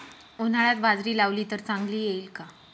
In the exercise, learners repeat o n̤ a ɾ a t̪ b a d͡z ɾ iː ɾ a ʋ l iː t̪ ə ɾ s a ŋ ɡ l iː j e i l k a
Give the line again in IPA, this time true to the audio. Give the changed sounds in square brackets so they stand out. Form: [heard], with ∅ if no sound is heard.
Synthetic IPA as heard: o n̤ a [ɭ] a t̪ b a d͡z ɾ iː [l] a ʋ l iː t̪ ə ɾ [t͡s] a ŋ ɡ l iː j e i l k a